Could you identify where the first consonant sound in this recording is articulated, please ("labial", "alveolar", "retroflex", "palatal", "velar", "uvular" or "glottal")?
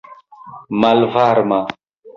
labial